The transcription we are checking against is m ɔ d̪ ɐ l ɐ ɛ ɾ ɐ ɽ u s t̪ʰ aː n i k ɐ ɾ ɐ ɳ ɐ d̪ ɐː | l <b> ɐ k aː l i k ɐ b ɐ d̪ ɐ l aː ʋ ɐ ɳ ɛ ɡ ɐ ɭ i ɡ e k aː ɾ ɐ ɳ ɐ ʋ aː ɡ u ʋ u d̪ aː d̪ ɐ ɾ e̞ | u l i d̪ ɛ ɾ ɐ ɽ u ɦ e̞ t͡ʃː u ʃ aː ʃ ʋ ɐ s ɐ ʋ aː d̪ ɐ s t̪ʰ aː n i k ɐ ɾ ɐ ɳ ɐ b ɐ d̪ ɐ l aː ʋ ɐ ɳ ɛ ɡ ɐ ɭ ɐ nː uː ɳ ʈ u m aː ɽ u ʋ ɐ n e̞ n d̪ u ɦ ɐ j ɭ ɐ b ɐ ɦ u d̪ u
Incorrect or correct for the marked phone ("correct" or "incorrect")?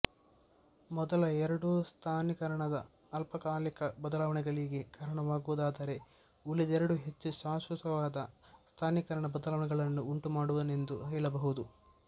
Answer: incorrect